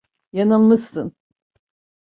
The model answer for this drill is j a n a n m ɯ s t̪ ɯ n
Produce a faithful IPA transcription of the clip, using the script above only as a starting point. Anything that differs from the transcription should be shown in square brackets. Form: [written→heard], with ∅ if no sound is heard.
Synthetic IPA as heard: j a n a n m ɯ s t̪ ɯ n

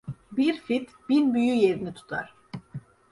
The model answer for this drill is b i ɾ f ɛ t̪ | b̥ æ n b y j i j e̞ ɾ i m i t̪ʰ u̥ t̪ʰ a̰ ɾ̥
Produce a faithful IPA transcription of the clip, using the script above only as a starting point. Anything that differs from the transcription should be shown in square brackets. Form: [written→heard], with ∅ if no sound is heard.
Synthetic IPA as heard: b i ɾ f [ɛ→i] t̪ | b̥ [æ→i] n b y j [i→y] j e̞ ɾ i [m→n] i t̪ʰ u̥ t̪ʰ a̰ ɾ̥

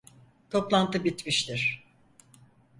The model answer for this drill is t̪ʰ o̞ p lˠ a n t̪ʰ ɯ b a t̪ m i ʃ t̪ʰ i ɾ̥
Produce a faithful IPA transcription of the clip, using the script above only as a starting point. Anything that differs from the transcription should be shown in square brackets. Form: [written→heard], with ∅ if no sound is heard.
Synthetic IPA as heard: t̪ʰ o̞ p lˠ a n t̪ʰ ɯ b [a→i] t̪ m i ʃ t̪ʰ i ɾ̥

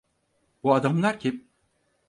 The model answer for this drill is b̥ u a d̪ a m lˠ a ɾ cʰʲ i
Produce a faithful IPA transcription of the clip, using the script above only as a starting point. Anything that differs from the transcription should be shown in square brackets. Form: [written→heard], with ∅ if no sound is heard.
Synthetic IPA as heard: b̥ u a d̪ a m lˠ a ɾ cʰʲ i

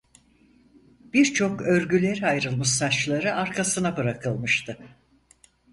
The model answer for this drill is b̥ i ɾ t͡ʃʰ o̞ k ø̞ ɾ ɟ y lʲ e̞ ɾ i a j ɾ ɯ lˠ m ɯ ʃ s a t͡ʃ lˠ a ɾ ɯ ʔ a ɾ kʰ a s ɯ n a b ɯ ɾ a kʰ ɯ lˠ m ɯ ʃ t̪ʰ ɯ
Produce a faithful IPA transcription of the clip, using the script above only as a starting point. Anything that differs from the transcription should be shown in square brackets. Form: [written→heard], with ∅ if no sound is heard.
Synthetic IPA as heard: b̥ i ɾ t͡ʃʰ o̞ k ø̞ ɾ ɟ y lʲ e̞ ɾ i a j ɾ ɯ lˠ m ɯ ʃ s a t͡ʃ lˠ a ɾ ɯ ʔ a ɾ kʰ a s ɯ n a b ɯ ɾ a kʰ ɯ lˠ m ɯ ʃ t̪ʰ ɯ

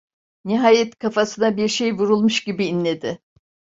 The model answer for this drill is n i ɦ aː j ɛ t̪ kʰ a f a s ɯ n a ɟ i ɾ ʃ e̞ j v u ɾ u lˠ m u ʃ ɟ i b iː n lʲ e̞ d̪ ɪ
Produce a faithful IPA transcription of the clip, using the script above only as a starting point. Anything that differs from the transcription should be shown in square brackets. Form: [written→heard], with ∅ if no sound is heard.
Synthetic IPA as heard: n i ɦ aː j ɛ t̪ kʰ a f a s ɯ n a [ɟ→b] i ɾ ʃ e̞ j v u ɾ u lˠ m u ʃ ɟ i b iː n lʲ e̞ d̪ ɪ

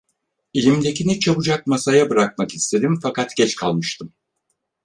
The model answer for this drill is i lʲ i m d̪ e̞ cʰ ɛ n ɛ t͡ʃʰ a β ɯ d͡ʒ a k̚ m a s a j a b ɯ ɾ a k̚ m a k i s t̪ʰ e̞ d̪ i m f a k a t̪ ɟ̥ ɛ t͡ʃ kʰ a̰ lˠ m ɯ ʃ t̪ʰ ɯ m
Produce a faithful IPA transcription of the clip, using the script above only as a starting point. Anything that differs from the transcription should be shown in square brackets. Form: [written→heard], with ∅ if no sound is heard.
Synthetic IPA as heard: i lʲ i m d̪ e̞ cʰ [ɛ→i] n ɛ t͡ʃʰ a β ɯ d͡ʒ a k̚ m a s a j a b ɯ ɾ a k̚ m a k i s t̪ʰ e̞ d̪ i m f a k a t̪ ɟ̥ ɛ t͡ʃ kʰ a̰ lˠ m ɯ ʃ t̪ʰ ɯ m

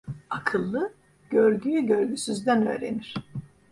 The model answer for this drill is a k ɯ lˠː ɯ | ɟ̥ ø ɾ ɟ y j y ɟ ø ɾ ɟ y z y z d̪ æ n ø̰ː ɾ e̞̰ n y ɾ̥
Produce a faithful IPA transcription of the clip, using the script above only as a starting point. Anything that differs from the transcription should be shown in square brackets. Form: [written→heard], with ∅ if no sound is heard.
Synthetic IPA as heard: a [k→kʰ] ɯ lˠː ɯ | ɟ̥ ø ɾ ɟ y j y ɟ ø ɾ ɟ y [z→s] y z d̪ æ n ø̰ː ɾ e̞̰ n [y→i] ɾ̥

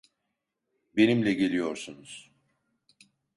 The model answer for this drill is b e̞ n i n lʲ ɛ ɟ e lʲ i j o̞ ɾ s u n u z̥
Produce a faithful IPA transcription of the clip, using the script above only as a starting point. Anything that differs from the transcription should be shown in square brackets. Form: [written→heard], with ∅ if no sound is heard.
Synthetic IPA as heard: b e̞ n i [n→m] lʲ ɛ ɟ e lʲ i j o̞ ɾ s u n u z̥

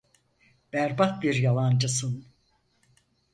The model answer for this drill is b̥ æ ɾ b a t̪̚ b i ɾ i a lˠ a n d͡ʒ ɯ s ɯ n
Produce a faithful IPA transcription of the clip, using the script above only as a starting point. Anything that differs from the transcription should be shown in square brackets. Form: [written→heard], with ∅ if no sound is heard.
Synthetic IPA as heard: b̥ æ ɾ b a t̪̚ b i ɾ [i→j] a lˠ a n d͡ʒ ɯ s ɯ n

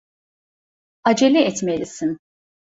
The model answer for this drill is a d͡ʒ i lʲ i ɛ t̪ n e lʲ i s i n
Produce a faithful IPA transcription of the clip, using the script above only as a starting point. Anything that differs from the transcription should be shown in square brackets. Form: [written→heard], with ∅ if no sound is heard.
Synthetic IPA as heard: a d͡ʒ [i→e] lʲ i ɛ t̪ [n→m] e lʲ i s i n

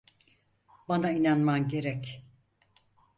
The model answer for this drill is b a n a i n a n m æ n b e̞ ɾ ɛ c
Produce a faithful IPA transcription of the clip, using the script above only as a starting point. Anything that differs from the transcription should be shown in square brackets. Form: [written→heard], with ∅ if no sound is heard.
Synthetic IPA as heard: b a n a i n a n m [æ→a] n [b→ɟ] e̞ ɾ ɛ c

